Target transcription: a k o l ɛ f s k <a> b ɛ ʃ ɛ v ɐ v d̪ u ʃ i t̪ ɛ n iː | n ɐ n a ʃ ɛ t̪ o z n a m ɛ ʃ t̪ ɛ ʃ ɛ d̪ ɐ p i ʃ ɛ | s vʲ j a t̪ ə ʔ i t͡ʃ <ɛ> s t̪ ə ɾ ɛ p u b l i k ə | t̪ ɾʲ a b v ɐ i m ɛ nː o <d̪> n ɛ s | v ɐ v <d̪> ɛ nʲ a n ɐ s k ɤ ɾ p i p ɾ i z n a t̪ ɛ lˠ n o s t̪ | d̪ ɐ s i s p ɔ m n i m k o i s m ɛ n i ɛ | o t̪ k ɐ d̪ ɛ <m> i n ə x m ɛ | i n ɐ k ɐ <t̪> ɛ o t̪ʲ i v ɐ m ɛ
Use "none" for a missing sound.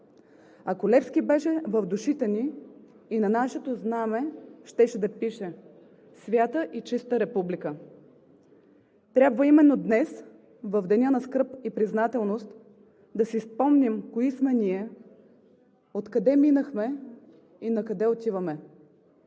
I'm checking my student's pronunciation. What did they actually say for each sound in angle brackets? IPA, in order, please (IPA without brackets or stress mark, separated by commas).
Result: i, i, d̪, d̪, m, d̪